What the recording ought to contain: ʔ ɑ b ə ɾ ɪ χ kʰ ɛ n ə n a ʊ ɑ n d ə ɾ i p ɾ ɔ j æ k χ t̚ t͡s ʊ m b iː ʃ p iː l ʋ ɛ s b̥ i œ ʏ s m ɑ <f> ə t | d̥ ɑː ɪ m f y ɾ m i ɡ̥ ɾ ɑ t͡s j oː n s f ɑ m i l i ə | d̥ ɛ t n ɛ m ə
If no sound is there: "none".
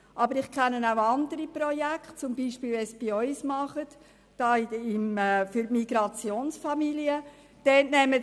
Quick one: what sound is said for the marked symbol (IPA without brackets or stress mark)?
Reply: χ